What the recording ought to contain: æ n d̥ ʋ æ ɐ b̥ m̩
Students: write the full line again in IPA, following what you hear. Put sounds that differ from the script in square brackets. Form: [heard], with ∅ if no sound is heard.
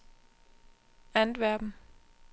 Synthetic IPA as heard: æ n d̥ ʋ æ ɐ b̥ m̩